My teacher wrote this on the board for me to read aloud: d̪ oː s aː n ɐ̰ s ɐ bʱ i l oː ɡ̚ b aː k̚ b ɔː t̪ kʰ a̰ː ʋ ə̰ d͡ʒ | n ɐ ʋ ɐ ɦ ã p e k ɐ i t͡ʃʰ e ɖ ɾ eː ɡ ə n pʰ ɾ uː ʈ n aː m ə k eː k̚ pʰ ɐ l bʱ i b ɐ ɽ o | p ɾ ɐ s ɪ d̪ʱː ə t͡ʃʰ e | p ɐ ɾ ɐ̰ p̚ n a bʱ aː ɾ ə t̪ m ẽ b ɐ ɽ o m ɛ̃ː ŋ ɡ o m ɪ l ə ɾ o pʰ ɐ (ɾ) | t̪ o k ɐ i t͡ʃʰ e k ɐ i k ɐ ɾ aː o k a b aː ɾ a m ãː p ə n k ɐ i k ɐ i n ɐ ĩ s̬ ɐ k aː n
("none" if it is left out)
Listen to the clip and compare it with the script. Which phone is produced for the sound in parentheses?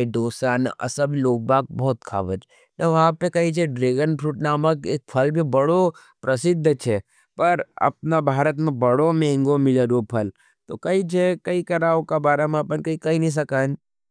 l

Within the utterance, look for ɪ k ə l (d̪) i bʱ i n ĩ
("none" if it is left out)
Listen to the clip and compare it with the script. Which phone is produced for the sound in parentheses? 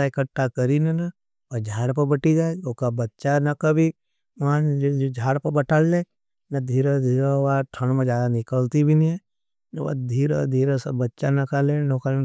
t̪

